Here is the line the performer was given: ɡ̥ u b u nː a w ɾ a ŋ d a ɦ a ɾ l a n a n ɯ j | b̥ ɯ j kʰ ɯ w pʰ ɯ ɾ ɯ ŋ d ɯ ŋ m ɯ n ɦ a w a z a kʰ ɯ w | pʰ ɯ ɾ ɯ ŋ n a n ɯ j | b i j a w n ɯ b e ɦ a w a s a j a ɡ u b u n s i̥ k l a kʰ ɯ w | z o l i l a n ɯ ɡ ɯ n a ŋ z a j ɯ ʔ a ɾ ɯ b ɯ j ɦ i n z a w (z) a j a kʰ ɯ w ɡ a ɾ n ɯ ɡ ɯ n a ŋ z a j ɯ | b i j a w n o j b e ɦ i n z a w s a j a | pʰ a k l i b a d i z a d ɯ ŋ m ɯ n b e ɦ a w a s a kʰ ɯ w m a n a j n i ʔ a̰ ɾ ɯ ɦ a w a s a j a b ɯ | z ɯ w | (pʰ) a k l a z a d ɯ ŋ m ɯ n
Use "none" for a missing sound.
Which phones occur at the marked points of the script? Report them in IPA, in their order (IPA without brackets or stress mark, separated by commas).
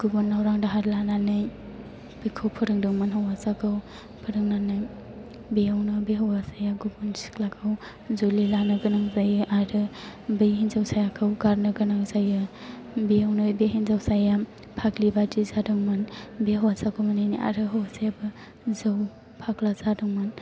s, pʰ